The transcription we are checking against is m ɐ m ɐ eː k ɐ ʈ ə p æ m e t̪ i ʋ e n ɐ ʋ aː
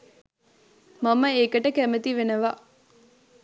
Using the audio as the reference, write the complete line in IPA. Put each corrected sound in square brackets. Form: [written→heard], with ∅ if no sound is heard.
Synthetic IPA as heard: m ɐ m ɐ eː k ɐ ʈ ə [p→k] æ m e t̪ i ʋ e n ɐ ʋ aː